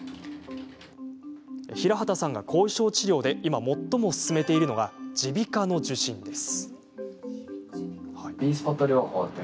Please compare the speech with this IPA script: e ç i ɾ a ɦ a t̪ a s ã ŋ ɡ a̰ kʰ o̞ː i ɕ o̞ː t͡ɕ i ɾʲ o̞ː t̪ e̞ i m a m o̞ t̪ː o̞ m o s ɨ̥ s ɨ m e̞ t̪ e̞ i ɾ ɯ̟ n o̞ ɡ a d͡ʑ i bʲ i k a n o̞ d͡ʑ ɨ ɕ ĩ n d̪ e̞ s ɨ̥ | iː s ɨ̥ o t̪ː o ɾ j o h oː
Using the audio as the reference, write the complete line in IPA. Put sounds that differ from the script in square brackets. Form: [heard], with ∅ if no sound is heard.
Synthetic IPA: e ç i ɾ a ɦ a t̪ a s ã ŋ ɡ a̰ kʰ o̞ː i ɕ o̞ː t͡ɕ i ɾʲ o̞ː [d̪] e̞ i m a m o̞ t̪ː o̞ m o s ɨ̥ s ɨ m e̞ t̪ e̞ i ɾ ɯ̟ n o̞ ɡ a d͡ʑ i bʲ i k a n o̞ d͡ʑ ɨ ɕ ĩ n d̪ e̞ s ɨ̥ | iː s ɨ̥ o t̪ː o ɾ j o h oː